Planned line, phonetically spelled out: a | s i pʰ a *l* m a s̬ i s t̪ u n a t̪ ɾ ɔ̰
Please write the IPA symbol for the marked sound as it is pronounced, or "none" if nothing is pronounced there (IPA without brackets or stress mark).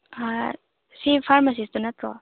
ɾ